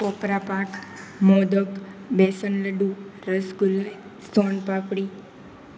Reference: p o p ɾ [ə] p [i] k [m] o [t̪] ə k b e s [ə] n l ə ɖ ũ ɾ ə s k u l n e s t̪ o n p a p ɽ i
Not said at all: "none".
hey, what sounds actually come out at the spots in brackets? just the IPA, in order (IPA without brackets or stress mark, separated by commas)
a, a, m, d̪, ə